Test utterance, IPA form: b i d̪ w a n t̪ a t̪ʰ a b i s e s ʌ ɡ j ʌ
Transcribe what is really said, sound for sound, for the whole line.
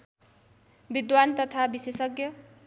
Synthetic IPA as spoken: b i d̪ w a n t̪ ʌ t̪ʰ a b i s e s ʌ ɡ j ʌ